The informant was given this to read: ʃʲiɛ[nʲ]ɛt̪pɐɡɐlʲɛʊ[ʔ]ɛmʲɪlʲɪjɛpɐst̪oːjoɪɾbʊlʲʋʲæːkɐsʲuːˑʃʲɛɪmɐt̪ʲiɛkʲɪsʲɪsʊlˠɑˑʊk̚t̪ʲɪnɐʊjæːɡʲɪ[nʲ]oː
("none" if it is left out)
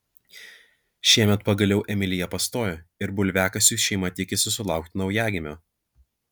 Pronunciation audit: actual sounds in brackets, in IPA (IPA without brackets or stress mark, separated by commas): mʲ, ʔ, mʲ